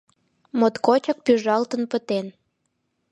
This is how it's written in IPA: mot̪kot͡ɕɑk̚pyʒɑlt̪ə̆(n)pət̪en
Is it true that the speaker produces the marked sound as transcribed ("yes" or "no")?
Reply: yes